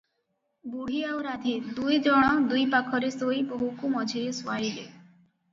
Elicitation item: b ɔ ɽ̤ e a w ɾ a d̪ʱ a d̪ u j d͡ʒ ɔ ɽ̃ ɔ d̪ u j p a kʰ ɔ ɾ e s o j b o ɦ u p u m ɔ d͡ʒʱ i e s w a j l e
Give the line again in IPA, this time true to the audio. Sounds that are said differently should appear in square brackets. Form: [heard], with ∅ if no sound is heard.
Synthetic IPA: b [u] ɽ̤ [i] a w ɾ a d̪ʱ [i] d̪ u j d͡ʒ ɔ ɽ̃ ɔ d̪ u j p a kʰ ɔ ɾ e s o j b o ɦ u [k] u m ɔ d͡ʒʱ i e s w a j l e